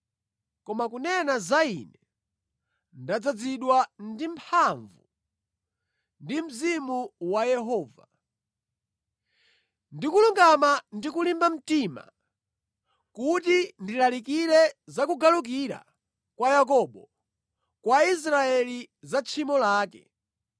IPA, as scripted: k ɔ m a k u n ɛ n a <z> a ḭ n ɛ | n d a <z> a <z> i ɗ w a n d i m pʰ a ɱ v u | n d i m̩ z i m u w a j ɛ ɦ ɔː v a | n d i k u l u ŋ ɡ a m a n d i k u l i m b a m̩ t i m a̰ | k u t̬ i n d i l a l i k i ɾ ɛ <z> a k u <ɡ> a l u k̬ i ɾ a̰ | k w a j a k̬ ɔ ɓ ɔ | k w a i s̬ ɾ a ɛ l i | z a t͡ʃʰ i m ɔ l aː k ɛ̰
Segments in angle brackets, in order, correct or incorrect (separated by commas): correct, incorrect, incorrect, correct, correct